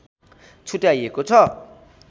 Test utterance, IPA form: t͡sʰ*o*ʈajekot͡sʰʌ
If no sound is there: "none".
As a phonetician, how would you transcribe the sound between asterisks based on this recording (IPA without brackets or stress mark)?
u